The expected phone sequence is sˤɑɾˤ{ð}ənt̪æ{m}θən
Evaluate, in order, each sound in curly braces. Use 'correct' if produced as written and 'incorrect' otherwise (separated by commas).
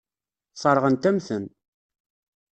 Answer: incorrect, correct